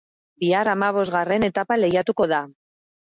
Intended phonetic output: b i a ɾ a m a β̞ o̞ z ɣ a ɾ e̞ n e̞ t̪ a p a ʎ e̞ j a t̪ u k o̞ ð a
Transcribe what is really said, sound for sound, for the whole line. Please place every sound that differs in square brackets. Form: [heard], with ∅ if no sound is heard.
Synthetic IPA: b i a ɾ a m a β̞ o̞ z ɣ a [r] e̞ n e̞ t̪ a p a [l] e̞ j a t̪ u k o̞ ð a